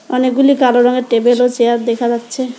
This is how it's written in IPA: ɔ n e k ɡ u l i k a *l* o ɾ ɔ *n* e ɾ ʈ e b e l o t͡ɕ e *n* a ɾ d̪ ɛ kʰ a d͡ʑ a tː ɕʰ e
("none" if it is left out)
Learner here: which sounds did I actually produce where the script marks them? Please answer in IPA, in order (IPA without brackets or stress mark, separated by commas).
l, ŋ, none